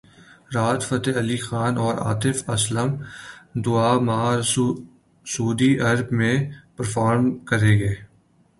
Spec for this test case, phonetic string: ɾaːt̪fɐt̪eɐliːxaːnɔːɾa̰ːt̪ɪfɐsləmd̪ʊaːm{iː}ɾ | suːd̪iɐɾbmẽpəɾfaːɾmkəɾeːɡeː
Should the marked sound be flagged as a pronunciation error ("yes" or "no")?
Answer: yes